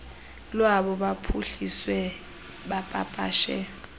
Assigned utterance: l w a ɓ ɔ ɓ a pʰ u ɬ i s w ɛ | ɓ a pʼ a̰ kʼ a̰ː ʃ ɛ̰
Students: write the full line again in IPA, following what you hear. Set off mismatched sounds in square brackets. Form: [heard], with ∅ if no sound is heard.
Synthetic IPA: l w a ɓ ɔ ɓ a pʰ u ɬ i s w ɛ | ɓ a pʼ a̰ [pʼ] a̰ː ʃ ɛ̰

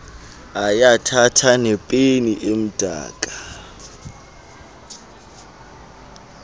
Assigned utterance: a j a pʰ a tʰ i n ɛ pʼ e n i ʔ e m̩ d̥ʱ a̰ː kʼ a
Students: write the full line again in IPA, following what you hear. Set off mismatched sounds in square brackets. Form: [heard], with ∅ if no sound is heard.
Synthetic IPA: a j a [tʰ] a tʰ [a] n ɛ pʼ e n i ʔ e m̩ d̥ʱ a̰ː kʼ a

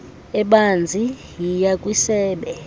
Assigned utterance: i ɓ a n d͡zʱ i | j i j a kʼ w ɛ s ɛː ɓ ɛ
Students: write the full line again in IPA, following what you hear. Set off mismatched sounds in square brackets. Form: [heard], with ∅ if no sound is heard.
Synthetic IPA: [ɛ] ɓ a n d͡zʱ i | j i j a kʼ w [i] s ɛː ɓ ɛ

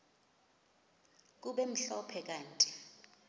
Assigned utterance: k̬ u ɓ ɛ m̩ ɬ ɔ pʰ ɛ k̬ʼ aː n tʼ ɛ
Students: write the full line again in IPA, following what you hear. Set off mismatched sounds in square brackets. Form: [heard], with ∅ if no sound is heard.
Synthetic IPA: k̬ u ɓ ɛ m̩ ɬ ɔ pʰ ɛ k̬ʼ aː n tʼ [i]

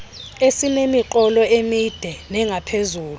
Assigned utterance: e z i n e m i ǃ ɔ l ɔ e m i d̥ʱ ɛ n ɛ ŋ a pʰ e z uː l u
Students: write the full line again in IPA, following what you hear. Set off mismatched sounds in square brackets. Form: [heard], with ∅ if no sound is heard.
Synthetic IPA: e [s] i n e m i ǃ ɔ l ɔ e m i d̥ʱ ɛ n ɛ ŋ a pʰ e z uː l u

